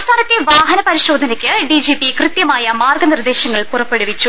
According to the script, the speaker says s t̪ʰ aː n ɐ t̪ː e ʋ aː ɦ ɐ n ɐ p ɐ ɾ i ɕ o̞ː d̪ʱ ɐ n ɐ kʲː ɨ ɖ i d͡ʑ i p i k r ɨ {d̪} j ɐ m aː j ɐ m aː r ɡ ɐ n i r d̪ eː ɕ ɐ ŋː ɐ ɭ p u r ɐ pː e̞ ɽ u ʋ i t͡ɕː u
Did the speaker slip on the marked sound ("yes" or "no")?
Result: yes